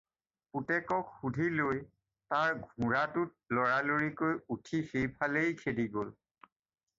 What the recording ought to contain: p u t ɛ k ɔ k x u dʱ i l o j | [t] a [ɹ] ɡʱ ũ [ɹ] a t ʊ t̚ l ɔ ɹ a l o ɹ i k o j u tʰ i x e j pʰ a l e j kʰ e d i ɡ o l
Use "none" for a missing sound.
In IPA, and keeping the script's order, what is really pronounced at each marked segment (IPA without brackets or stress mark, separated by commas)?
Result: t, ɹ, ɹ